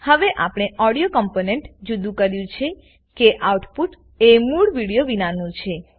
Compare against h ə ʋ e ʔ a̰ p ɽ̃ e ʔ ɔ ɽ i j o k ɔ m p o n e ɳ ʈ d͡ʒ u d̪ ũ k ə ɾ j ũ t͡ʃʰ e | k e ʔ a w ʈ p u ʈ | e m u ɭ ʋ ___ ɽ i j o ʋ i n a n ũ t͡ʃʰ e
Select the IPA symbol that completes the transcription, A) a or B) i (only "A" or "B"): B